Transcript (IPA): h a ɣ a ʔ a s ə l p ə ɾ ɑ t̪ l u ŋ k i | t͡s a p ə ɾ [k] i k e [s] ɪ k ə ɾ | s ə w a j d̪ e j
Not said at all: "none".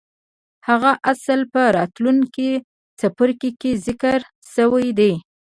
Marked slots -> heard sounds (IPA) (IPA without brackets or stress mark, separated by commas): k, z